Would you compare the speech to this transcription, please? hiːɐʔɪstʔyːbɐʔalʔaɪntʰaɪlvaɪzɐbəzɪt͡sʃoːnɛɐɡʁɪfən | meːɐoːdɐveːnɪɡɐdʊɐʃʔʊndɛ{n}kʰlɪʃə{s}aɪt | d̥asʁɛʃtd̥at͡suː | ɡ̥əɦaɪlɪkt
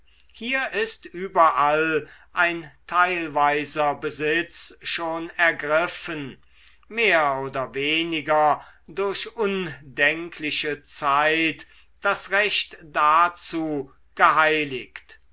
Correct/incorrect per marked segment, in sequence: incorrect: ŋ, incorrect: t͡s

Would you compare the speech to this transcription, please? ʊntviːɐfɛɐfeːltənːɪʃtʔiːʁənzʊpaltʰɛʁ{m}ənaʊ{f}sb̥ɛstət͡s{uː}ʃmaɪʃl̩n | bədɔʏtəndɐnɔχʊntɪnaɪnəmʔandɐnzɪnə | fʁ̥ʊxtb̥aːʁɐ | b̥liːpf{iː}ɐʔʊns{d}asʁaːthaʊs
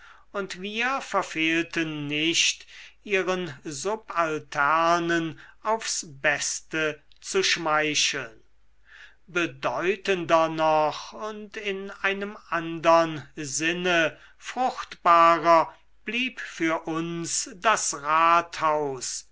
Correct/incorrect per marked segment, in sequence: incorrect: n, correct, incorrect: u, incorrect: yː, correct

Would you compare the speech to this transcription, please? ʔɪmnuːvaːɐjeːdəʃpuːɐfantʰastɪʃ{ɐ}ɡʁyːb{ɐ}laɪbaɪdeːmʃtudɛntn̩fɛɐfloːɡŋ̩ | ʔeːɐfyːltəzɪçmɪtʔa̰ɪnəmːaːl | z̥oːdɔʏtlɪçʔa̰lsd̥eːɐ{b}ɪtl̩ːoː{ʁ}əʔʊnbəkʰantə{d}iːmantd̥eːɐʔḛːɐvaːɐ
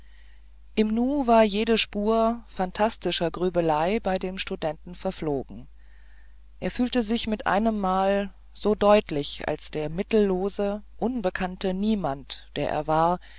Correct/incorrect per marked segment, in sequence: correct, incorrect: ə, incorrect: m, incorrect: z, incorrect: n

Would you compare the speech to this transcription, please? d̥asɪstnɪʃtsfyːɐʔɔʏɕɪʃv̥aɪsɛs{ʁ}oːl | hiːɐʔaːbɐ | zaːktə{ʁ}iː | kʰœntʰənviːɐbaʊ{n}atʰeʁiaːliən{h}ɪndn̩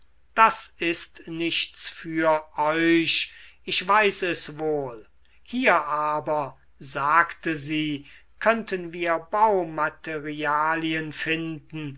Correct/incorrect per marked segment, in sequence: incorrect: v, incorrect: z, incorrect: m, incorrect: f

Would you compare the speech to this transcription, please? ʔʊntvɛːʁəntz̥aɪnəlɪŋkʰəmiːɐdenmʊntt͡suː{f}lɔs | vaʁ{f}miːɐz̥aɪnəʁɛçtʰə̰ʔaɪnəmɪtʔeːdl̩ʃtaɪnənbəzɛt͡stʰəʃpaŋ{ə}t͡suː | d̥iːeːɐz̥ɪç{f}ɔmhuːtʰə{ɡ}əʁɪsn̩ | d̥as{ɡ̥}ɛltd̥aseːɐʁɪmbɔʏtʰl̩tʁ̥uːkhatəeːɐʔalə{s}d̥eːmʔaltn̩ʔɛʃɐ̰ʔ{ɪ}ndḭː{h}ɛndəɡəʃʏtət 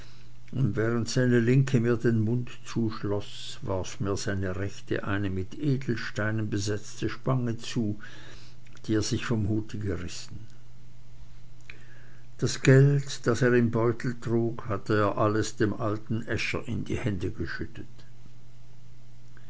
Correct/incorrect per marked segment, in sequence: incorrect: ʃ, correct, correct, correct, correct, correct, correct, correct, correct

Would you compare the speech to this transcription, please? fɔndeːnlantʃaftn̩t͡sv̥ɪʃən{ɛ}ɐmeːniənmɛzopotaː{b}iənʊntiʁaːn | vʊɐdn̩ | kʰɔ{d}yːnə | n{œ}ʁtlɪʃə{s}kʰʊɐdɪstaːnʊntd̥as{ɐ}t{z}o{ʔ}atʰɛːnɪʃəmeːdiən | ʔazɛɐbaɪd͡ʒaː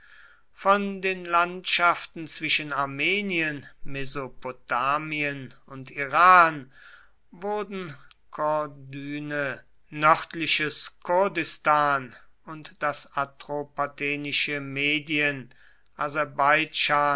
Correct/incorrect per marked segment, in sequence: incorrect: a, incorrect: m, correct, correct, correct, incorrect: a, incorrect: ʁ, incorrect: p

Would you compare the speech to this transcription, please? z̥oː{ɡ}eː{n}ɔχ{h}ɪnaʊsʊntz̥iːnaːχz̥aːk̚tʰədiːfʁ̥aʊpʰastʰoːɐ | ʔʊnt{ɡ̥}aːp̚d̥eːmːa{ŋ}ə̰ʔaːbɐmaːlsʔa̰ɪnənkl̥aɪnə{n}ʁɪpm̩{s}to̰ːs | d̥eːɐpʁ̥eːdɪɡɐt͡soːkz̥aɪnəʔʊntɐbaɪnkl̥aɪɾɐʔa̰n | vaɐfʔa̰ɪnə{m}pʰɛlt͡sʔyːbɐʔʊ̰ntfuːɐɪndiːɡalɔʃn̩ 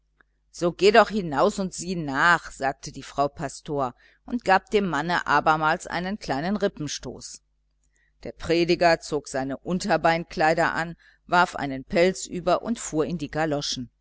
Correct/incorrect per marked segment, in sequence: correct, incorrect: d, correct, correct, incorrect: n, correct, incorrect: ʃ, incorrect: n

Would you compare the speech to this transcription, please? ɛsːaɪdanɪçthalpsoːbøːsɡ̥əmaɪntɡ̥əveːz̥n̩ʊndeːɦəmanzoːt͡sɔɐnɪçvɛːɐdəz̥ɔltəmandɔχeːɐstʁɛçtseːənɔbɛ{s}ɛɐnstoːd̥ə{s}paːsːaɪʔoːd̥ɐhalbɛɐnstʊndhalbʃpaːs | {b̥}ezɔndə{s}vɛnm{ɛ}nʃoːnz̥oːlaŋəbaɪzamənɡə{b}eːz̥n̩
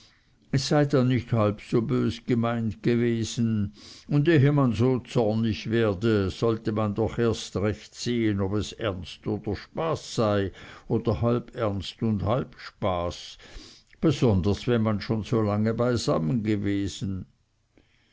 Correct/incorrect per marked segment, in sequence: correct, incorrect: ʃ, correct, correct, incorrect: a, incorrect: v

